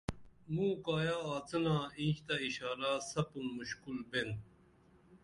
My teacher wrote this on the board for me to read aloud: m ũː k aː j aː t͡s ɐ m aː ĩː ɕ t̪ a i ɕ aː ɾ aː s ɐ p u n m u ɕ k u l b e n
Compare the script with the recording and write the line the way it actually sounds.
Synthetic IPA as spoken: m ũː k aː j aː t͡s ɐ n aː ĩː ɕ t̪ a i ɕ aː ɾ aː s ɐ p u n m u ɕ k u l b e n